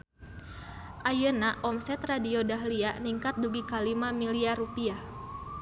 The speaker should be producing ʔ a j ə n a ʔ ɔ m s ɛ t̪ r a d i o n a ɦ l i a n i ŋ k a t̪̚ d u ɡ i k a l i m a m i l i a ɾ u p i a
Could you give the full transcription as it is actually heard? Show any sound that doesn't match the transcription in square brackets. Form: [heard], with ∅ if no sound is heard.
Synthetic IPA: ʔ a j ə n a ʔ ɔ m s ɛ t̪ r a d i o [d] a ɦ l i a n i ŋ k a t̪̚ d u ɡ i k a l i m a m i l i a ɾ u p i a